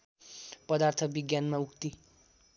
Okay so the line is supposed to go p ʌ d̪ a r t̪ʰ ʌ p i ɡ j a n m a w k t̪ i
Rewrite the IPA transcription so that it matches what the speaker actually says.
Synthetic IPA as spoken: p ʌ d̪ a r t̪ʰ ʌ b i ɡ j a n m a u k t̪ i